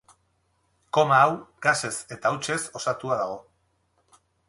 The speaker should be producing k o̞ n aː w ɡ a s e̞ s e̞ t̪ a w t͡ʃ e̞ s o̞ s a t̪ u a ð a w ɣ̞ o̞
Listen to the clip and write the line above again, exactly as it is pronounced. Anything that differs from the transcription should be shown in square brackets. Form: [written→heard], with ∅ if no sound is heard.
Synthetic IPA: k o̞ [n→m] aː w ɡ a s e̞ s e̞ t̪ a w t͡ʃ e̞ s o̞ s a t̪ u a ð a [w→∅] ɣ̞ o̞